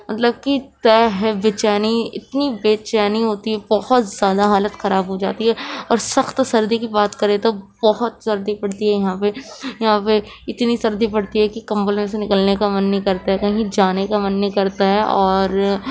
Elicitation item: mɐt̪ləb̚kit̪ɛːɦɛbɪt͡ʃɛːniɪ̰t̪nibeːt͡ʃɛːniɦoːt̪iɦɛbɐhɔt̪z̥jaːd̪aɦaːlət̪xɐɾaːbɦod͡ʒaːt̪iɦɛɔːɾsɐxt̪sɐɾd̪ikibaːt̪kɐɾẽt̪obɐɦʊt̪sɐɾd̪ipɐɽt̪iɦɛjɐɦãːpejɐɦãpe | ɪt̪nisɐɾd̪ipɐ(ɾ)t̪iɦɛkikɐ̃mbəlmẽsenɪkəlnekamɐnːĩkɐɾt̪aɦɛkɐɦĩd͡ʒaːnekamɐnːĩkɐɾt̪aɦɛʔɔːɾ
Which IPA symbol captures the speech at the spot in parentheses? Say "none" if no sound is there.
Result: ɽ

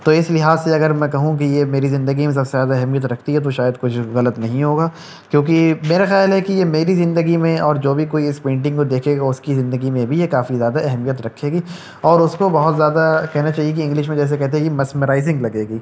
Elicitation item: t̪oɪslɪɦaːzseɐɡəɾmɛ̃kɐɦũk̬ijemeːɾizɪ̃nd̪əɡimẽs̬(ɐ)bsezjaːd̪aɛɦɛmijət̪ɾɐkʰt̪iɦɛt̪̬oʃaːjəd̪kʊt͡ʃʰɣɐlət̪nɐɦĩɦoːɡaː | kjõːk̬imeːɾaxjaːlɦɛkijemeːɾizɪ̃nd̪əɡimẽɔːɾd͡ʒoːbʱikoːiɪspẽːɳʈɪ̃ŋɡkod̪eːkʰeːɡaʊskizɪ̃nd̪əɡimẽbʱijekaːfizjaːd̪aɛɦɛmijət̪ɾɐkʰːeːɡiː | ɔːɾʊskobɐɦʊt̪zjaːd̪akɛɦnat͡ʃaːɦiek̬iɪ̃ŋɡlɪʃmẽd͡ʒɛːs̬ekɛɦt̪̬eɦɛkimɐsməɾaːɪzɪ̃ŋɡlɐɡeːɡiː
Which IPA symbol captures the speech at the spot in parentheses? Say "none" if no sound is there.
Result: ɐ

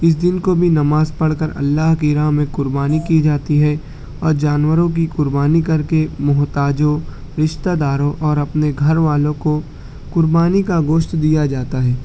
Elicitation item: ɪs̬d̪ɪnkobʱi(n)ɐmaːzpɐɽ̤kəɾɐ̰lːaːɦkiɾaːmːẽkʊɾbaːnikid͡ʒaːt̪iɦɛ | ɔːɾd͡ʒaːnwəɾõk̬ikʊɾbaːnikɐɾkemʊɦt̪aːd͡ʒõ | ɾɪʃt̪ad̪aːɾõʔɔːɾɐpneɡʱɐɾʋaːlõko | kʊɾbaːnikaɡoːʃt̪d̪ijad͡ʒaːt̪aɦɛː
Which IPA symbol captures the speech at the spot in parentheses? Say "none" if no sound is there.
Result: n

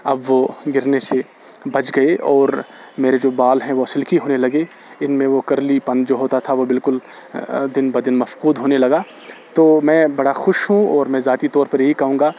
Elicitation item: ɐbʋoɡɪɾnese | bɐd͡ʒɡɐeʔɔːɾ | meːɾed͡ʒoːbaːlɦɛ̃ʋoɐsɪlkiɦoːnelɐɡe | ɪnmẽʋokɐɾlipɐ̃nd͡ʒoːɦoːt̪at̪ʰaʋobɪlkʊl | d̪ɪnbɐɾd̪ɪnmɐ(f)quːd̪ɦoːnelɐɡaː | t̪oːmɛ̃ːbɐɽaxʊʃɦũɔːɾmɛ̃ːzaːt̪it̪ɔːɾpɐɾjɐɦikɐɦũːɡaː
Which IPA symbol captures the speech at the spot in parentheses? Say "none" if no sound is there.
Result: f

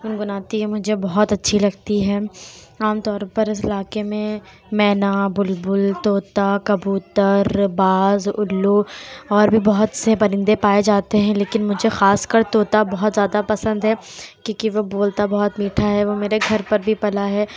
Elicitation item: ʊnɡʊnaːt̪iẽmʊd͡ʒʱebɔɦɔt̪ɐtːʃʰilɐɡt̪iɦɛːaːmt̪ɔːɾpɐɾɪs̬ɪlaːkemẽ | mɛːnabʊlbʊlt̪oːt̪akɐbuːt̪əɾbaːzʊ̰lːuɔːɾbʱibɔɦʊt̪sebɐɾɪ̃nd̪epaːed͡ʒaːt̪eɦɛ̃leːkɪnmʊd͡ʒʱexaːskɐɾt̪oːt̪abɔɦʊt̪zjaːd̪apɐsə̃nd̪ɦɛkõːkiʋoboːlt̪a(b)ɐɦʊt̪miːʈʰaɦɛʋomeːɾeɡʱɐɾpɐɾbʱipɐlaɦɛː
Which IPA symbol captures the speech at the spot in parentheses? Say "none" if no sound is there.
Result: b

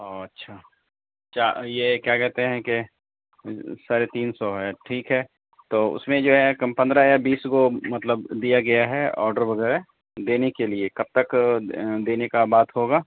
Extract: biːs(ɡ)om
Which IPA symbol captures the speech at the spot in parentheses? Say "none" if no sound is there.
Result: ɡ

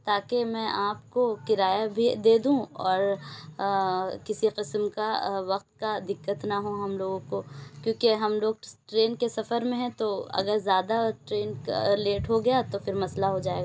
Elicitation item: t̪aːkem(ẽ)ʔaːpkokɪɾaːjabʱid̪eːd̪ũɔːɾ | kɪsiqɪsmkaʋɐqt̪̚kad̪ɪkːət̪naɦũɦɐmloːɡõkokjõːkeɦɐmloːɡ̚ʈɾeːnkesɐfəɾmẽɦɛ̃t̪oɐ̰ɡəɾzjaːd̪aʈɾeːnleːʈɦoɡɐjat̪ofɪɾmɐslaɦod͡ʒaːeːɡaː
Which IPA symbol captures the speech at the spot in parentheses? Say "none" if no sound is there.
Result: ɛ̃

